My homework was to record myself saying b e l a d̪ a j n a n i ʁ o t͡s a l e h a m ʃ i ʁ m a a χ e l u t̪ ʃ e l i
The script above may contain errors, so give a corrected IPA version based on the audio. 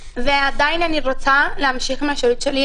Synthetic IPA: v e a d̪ a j n a n i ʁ o t͡s a l e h a m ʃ i χ m e a ʃ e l u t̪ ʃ e l i

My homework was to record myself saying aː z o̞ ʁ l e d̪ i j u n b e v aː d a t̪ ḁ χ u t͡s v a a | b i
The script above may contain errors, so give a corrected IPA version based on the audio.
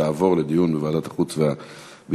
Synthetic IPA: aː v o̞ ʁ l e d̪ i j u n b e v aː d a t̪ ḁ χ u t͡s v e a | b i

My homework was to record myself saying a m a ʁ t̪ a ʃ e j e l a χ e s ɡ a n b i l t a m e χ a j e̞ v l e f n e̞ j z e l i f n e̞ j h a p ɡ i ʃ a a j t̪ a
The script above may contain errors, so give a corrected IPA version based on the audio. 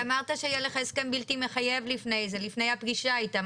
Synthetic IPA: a m a ʁ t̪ a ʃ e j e l e χ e s k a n b i l t i m e χ a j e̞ v l i f n e̞ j z e l i f n e̞ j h a p ɡ i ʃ a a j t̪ a

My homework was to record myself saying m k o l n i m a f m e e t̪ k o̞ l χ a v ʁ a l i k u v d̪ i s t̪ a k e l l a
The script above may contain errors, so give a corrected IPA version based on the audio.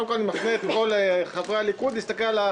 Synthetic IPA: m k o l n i m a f n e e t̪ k o̞ l χ a v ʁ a l i k u d̪ i s t̪ a k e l l a

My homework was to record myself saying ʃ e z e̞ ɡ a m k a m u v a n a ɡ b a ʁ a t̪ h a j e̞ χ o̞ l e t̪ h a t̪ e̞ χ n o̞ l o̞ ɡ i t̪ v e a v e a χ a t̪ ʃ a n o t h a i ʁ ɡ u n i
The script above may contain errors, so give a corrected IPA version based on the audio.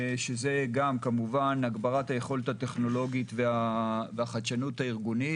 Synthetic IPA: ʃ e z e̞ ɡ a m k a m u v a n a ɡ b a ʁ a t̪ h a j e̞ χ o̞ l e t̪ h a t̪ e̞ χ n o̞ l o̞ ɡ i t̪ v e a v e a χ a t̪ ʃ a n u t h a i ʁ ɡ u n i

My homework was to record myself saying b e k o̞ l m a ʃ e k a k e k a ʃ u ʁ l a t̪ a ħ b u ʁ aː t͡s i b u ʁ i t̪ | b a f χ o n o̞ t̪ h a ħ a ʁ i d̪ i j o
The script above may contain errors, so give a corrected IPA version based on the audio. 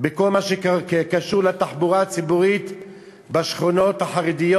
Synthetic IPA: b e k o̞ l m a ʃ e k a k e k a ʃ u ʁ l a t̪ a ħ b u ʁ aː t͡s i b u ʁ i t̪ | b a ʃ χ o n o̞ t̪ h a ħ a ʁ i d̪ i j o

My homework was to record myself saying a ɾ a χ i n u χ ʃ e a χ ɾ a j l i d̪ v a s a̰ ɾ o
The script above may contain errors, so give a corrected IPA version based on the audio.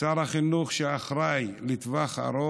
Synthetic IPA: a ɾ a χ i n u χ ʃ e a χ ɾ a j l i t̪ v a χ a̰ ɾ o

